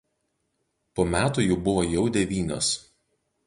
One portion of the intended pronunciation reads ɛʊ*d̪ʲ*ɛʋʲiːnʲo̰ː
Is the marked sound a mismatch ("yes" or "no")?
no